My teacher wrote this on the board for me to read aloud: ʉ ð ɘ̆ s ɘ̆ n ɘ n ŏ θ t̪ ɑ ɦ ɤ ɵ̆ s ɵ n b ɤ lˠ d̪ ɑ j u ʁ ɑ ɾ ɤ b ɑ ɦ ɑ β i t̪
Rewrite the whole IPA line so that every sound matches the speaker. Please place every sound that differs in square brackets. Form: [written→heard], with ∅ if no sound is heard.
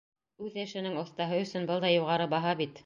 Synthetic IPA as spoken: ʉ ð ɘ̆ [s→ʃ] ɘ̆ n ɘ [n→ŋ] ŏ θ t̪ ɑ ɦ ɤ ɵ̆ s ɵ n b ɤ lˠ d̪ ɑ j u ʁ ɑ ɾ ɤ b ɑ ɦ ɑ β i t̪